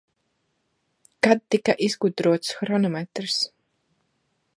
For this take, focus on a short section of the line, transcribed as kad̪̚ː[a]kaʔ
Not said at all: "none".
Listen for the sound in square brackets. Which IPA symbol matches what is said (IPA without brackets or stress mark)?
i